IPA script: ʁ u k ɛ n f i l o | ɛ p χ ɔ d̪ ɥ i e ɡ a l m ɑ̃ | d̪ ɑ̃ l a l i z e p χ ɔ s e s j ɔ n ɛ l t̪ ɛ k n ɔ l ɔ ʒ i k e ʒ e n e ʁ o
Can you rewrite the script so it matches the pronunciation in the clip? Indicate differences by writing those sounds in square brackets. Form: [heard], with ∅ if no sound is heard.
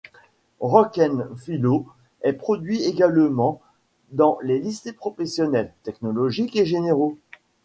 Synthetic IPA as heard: ʁ [ɔ] k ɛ n f i l o | ɛ p χ ɔ d̪ ɥ i e ɡ a l m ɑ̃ | d̪ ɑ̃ l [e] l i [s] e p χ ɔ [f] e s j ɔ n ɛ l t̪ ɛ k n ɔ l ɔ ʒ i k e ʒ e n e ʁ o

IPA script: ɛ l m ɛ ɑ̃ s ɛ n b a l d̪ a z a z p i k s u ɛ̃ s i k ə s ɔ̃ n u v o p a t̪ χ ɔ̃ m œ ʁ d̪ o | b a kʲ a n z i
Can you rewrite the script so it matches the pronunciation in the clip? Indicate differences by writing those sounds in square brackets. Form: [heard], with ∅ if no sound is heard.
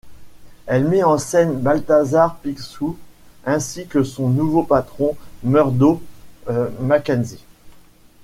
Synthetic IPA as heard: ɛ l m ɛ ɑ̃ s ɛ n b a l [t̪] a z a [ʁ] p i k s u ɛ̃ s i k ə s ɔ̃ n u v o p a t̪ χ ɔ̃ m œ ʁ d̪ o | [m] a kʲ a n z i

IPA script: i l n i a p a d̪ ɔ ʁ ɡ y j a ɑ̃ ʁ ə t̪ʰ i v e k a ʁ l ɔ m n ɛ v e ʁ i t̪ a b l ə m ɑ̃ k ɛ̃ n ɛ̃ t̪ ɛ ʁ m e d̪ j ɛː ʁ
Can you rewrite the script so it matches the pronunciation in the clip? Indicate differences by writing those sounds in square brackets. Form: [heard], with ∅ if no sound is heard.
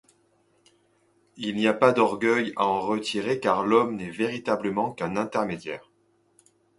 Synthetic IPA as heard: i l n i a p a d̪ ɔ ʁ ɡ [œ] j a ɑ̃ ʁ ə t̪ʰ i [ʁ] e k a ʁ l ɔ m n ɛ v e ʁ i t̪ a b l ə m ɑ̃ k ɛ̃ n ɛ̃ t̪ ɛ ʁ m e d̪ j ɛː ʁ

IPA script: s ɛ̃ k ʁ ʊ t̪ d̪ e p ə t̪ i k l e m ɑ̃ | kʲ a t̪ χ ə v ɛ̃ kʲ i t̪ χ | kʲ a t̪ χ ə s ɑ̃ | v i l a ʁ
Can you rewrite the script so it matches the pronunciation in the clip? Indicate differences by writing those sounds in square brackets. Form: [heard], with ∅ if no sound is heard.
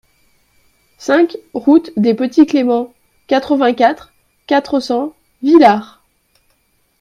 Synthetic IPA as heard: s ɛ̃ k ʁ [u] t̪ d̪ e p ə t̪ i k l e m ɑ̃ | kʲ a t̪ χ ə v ɛ̃ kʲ [a] t̪ χ | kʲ a t̪ χ ə s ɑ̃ | v i l a ʁ

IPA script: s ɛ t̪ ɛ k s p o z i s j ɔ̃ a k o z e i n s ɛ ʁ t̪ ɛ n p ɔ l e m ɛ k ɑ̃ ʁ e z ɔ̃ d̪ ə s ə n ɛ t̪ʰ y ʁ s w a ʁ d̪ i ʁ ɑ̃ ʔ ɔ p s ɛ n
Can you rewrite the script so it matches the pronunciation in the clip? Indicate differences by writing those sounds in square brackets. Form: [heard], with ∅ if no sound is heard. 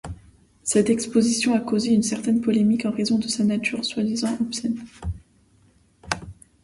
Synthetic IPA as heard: s ɛ t̪ ɛ k s p o z i s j ɔ̃ a k o z e [y] n s ɛ ʁ t̪ ɛ n p ɔ l e m [i] k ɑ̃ ʁ e z ɔ̃ d̪ ə s [a] n [a] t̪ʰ y ʁ s w a [∅] d̪ i [z] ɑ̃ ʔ ɔ p s ɛ n

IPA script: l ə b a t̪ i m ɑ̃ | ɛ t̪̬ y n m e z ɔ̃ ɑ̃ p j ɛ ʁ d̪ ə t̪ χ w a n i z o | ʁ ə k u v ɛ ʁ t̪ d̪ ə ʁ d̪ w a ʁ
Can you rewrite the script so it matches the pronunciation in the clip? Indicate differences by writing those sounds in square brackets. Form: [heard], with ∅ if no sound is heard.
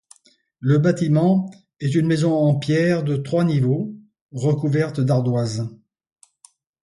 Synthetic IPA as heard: l ə b a t̪ i m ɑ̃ | ɛ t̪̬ y n m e z ɔ̃ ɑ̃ p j ɛ ʁ d̪ ə t̪ χ w a n i [v] o | ʁ ə k u v ɛ ʁ t̪ d̪ [a] ʁ d̪ w a [z]

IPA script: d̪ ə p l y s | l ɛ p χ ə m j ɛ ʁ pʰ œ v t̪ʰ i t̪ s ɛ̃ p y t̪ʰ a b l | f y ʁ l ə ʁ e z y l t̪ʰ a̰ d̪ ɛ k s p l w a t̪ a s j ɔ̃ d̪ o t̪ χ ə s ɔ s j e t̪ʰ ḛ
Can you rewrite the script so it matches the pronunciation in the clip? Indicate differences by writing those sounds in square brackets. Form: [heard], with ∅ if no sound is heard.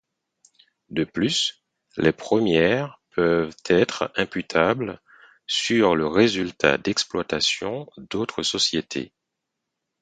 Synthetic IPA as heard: d̪ ə p l y s | l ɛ p χ ə m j ɛ ʁ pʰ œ v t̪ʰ [ɛ] t̪ [χ] ɛ̃ p y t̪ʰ a b l | [s] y ʁ l ə ʁ e z y l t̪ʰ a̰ d̪ ɛ k s p l w a t̪ a s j ɔ̃ d̪ o t̪ χ ə s ɔ s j e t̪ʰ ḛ

